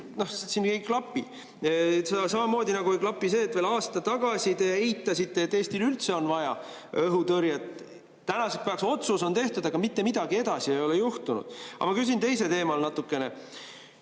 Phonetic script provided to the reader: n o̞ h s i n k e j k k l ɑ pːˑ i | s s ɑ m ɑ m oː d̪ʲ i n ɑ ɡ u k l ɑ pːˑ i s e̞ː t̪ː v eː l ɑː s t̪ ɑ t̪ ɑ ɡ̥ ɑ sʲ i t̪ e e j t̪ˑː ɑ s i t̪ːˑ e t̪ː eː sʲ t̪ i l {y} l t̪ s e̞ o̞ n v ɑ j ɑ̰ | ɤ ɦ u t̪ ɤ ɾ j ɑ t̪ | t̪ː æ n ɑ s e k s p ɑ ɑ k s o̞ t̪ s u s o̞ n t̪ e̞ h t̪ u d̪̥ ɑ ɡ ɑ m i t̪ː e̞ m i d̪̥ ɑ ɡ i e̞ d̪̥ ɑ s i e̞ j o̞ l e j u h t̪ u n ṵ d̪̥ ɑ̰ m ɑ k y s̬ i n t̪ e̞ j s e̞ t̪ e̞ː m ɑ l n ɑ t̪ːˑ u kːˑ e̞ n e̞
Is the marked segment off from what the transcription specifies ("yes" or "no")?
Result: no